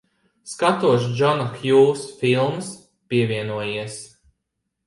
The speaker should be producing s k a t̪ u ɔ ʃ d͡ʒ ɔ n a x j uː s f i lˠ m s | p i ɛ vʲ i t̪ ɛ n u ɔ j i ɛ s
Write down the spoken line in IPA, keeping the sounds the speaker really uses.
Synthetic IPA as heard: s k a t̪ u ɔ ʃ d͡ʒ ɔ n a x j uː s f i lˠ m s | p i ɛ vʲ i ɛ n u ɔ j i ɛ s